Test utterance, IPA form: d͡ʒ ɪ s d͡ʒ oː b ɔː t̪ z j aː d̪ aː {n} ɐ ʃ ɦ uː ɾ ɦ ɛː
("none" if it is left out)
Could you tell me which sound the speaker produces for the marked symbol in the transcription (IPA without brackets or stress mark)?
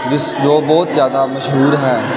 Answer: m